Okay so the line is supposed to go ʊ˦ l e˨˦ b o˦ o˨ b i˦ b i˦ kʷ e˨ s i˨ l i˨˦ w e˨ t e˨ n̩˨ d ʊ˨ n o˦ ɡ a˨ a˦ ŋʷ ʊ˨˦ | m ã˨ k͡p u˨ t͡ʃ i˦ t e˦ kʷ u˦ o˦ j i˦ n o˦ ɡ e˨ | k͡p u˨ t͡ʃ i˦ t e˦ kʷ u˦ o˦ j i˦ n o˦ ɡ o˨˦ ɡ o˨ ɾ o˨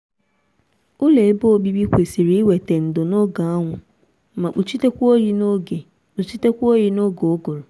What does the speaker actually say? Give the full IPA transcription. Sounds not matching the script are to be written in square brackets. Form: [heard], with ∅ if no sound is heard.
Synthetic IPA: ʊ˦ l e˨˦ b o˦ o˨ b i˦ b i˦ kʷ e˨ s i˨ [ɾ] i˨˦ w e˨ t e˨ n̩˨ d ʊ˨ n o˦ ɡ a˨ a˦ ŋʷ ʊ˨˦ | m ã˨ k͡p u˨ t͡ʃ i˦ t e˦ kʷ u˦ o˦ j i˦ n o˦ ɡ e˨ | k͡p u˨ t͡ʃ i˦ t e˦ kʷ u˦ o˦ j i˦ n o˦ ɡ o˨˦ ɡ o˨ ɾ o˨

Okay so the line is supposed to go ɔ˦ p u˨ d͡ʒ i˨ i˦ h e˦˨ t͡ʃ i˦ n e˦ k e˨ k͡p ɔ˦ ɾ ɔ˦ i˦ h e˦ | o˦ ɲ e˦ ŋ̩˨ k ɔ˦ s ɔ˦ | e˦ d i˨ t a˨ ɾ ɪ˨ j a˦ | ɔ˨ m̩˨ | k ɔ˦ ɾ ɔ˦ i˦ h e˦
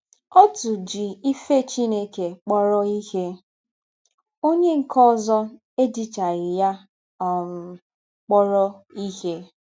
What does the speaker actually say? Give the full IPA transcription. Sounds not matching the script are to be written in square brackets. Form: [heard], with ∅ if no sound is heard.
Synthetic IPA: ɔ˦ [t] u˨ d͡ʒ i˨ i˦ [f] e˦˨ t͡ʃ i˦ n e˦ k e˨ k͡p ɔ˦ ɾ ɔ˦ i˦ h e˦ | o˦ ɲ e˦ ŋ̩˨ k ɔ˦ [z] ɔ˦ | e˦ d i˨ [t͡ʃ] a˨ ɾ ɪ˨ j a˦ | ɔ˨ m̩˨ | [k͡p] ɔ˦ ɾ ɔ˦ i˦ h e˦

